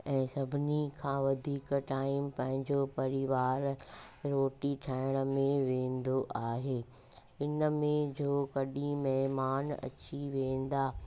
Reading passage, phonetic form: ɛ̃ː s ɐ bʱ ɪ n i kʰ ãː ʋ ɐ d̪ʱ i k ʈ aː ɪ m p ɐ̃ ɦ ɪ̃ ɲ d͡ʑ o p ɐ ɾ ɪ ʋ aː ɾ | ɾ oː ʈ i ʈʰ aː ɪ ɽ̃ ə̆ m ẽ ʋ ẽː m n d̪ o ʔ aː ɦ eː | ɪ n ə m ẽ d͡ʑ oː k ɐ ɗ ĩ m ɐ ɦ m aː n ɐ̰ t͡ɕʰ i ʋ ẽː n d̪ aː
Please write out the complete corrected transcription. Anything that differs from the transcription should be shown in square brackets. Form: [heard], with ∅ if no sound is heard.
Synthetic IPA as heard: ɛ̃ː s ɐ bʱ ɪ n i kʰ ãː ʋ ɐ d̪ʱ [iː] k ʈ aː ɪ m p ɐ̃ ɦ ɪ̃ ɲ d͡ʑ o p ɐ ɾ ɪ ʋ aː ɾ | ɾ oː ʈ i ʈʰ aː ɪ ɽ̃ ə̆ m ẽ ʋ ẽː [∅] n d̪ o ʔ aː ɦ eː | ɪ n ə m ẽ d͡ʑ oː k ɐ ɗ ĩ m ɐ ɦ m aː n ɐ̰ [t͡ɕ] i ʋ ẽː n d̪ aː